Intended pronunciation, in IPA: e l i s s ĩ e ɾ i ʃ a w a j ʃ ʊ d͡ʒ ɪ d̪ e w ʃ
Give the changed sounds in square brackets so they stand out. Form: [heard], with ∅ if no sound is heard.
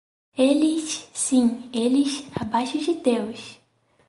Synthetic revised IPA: e l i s s ĩ e [l] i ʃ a [b] a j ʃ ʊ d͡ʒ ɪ d̪ e w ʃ